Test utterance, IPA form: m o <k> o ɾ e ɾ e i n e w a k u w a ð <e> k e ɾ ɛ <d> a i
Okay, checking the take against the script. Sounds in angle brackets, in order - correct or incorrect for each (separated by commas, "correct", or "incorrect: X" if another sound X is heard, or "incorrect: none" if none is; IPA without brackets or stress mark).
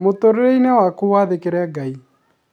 incorrect: t, correct, incorrect: ɡ